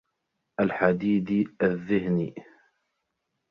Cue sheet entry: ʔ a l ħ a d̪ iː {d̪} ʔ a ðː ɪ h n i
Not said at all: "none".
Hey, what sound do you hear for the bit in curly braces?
d̪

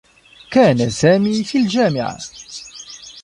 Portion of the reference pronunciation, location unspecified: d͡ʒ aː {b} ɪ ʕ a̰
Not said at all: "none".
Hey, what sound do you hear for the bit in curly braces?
m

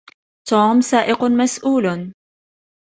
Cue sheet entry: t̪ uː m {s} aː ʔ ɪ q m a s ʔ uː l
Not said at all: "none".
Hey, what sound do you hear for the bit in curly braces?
s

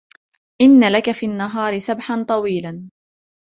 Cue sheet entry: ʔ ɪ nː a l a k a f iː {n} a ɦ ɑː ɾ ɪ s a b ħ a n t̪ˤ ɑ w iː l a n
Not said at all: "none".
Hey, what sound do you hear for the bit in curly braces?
nː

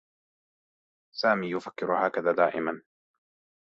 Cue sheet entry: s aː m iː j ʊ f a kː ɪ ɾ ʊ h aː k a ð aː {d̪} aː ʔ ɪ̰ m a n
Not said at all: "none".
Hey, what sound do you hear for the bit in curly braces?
d̪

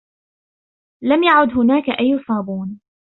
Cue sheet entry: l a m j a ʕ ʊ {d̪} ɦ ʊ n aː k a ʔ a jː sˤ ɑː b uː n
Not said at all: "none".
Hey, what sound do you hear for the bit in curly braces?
d̪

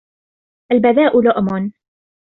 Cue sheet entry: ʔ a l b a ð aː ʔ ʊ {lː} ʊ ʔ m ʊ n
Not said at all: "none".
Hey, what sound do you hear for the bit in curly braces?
l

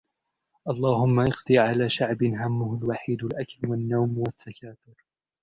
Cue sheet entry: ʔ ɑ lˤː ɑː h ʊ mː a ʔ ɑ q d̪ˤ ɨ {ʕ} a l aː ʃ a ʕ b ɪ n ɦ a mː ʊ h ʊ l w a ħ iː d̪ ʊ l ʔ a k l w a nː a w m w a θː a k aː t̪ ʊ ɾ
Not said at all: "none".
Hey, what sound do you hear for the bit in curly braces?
ʕ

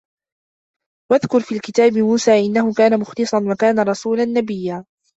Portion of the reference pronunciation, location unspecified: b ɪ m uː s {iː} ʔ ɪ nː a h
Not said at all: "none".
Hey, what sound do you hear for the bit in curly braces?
aː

